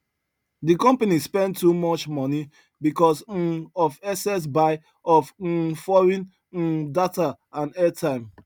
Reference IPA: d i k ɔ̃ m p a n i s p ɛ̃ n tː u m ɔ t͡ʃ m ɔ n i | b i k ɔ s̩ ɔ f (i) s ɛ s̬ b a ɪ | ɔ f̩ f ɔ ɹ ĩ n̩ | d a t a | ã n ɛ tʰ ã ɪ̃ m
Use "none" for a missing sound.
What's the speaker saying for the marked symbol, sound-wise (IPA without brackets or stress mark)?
ɛ